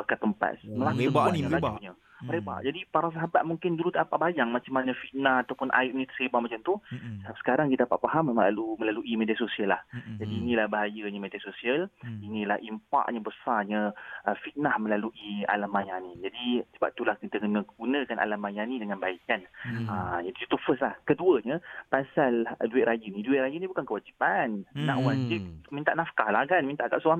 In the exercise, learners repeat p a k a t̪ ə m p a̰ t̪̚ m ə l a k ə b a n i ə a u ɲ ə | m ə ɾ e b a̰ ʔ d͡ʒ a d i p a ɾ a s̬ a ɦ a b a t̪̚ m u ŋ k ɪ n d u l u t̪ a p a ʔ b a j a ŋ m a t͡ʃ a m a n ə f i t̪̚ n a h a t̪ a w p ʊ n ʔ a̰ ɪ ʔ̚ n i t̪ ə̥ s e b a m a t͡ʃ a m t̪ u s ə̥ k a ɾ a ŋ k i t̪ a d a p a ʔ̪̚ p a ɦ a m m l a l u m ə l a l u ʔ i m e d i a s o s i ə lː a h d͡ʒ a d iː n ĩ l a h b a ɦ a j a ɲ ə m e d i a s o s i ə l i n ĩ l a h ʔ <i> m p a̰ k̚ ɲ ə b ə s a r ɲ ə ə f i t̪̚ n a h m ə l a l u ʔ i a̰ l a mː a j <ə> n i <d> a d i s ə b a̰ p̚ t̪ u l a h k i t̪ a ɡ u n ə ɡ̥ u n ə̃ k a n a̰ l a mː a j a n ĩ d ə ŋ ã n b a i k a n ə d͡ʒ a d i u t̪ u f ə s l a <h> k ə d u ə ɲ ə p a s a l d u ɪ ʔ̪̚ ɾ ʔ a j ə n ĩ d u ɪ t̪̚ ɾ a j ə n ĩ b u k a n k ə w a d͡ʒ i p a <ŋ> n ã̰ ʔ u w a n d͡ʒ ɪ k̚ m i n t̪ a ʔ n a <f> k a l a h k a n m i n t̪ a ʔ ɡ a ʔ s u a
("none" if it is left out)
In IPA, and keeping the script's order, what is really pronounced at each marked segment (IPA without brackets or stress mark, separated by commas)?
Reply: i, a, d͡ʒ, h, n, f